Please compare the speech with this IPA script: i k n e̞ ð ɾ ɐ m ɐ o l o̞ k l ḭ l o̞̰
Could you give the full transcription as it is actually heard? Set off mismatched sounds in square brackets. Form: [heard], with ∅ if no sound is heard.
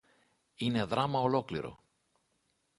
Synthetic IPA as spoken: i [∅] n e̞ ð ɾ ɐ m ɐ o l o̞ k l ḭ [ɾ] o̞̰